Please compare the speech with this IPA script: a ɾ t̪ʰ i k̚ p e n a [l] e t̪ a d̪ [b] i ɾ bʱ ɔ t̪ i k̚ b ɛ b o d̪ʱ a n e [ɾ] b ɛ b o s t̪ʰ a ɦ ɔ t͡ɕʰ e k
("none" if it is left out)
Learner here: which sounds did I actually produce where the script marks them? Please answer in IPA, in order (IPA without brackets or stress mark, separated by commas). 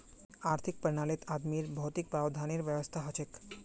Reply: l, m, ɾ